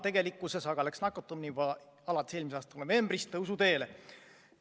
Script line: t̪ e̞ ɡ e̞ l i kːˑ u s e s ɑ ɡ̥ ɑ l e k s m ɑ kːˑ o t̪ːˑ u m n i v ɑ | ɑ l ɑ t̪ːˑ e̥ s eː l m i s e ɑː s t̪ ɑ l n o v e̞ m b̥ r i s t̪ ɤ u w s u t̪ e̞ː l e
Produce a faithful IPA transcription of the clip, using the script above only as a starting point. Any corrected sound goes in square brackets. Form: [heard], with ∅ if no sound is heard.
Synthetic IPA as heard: t̪ e̞ ɡ e̞ l i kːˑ u s e s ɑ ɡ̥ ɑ l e k s [n] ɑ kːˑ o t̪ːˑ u m n i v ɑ | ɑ l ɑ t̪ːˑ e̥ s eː l m i s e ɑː s t̪ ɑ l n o v e̞ m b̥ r i s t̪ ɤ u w s u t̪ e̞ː l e